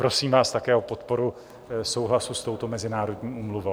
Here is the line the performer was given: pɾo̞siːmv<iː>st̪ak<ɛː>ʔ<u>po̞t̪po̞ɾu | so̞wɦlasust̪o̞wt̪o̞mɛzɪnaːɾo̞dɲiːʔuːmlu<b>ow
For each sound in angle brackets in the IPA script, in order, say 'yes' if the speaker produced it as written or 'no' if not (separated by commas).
no, yes, no, no